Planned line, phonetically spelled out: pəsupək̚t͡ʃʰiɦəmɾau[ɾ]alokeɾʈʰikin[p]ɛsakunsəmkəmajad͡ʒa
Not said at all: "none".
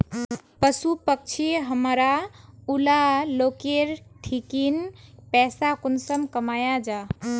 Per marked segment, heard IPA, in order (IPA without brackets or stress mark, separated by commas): l, p